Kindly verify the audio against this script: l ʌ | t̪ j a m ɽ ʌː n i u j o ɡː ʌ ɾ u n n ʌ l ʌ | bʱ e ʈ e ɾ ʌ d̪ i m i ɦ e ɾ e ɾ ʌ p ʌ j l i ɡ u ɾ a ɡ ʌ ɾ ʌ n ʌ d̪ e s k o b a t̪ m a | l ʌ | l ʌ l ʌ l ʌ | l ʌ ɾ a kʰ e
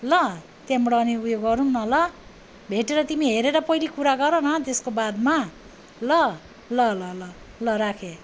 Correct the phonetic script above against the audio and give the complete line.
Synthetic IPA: l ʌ | t̪ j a m ɽ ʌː n i u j o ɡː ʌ ɾ u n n ʌ l ʌ | bʱ e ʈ e ɾ ʌ t̪ i m i ɦ e ɾ e ɾ ʌ p ʌ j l i k u ɾ a ɡ ʌ ɾ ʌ n ʌ t̪ e s k o b a d̪ m a | l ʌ | l ʌ l ʌ l ʌ | l ʌ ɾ a kʰ e